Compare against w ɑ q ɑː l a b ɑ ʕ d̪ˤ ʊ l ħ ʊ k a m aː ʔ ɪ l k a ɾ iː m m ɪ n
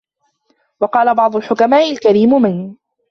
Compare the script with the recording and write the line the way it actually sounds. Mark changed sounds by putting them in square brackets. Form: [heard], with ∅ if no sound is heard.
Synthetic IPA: w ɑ q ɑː l a b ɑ ʕ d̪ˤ ʊ l ħ ʊ k a m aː ʔ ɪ l k a ɾ iː m m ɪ n

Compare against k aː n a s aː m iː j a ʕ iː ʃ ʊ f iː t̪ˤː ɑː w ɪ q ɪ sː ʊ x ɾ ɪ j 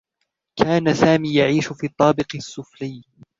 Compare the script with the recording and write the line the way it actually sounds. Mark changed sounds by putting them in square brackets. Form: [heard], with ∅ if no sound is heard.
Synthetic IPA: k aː n a s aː m iː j a ʕ iː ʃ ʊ f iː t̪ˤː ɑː [b] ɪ q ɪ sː ʊ [f] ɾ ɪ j

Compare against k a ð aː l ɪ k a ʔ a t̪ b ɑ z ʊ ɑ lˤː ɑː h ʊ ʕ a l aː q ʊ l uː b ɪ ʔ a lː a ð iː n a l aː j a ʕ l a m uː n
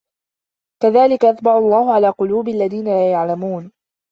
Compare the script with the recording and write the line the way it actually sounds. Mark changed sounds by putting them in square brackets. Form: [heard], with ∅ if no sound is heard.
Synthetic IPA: k a ð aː l ɪ k a ʔ a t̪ b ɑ [ʕ] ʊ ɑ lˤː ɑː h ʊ ʕ a l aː q ʊ l uː b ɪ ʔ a lː a ð iː n a l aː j a ʕ l a m uː n

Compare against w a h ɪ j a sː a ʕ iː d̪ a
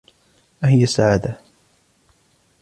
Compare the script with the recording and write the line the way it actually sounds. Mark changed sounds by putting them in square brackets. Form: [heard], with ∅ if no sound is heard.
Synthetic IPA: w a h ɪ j a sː a ʕ [aː] d̪ a

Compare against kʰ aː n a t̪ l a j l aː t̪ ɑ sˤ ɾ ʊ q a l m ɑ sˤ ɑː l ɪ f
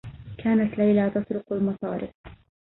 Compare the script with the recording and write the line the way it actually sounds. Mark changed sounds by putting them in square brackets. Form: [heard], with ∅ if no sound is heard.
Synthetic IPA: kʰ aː n a t̪ l a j l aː t̪ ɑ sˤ ɾ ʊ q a l m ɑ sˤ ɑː [ɾ] ɪ f

